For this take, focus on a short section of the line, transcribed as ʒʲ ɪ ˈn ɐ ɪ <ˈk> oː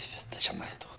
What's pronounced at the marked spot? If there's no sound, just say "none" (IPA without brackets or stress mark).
t